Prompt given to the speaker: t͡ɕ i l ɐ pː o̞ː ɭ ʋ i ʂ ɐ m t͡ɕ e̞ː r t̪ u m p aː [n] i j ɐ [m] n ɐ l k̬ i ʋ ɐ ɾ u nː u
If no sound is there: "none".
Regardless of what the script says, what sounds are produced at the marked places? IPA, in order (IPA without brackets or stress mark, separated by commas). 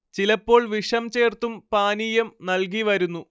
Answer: n, m